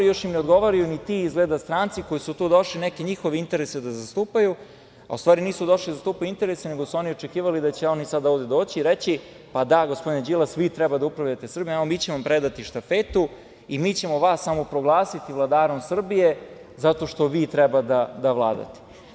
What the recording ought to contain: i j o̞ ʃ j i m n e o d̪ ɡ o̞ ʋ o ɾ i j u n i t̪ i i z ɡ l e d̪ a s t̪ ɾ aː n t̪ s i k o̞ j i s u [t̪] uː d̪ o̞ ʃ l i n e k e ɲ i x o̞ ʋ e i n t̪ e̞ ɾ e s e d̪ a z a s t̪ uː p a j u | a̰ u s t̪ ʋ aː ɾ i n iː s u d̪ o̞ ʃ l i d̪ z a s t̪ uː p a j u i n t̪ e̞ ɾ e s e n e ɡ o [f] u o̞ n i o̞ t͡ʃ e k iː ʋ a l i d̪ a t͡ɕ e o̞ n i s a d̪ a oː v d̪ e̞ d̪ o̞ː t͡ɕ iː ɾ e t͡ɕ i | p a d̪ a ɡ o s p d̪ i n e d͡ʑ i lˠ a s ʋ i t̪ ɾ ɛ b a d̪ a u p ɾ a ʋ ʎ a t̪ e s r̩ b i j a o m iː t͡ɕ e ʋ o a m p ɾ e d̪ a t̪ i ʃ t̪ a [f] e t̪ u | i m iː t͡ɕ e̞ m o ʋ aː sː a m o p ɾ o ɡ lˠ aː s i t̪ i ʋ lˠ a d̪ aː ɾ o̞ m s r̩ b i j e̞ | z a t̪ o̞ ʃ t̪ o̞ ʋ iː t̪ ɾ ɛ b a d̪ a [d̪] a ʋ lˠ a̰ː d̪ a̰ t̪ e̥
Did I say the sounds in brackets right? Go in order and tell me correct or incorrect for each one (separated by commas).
correct, incorrect, correct, correct